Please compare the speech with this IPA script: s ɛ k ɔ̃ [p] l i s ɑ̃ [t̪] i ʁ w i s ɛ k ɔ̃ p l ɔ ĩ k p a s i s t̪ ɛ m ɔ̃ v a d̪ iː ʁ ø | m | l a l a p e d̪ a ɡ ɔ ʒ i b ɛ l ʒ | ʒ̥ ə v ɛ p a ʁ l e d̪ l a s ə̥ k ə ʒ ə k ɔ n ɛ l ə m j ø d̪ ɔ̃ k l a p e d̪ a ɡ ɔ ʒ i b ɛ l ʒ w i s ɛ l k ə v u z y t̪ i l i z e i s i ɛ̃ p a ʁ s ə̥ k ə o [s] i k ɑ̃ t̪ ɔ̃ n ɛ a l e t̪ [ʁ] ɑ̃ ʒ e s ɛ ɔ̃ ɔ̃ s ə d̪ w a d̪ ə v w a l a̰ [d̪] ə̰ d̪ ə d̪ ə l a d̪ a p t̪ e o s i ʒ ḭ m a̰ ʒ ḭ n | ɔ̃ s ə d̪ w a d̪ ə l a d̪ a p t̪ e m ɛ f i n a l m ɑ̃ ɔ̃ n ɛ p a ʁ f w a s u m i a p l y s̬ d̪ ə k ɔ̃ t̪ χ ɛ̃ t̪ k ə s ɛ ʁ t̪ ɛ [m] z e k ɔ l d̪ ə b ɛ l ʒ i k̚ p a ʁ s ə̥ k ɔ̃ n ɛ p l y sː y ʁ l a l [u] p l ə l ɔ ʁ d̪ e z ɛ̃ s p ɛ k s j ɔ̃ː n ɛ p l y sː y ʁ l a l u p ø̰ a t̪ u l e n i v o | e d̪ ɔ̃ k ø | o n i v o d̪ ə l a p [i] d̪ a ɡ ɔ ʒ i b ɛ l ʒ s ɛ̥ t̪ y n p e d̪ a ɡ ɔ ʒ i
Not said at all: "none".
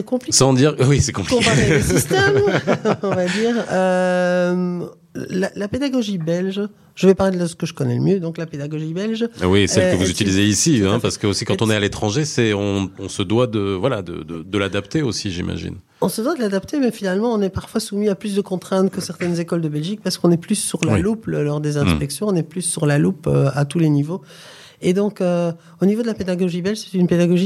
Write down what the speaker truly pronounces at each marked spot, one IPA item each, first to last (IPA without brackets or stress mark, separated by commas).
p, d̪, s, χ, d̪, n, u, e